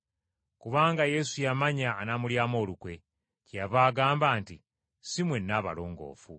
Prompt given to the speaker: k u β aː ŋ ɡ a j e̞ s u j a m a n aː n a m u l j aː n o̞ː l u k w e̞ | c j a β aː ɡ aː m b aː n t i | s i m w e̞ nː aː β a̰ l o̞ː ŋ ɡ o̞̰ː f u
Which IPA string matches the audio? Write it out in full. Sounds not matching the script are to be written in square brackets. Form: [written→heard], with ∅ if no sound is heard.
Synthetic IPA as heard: k u β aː ŋ ɡ a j e̞ s u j a m a [n→ɲ] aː n a m u l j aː [n→m] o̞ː l u k w e̞ | c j a β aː ɡ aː m b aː n t i | s i m w e̞ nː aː β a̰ l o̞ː ŋ ɡ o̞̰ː f u